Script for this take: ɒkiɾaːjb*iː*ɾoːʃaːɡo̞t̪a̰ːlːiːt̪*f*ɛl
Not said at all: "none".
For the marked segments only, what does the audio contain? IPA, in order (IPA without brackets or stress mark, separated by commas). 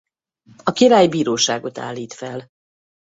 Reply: iː, f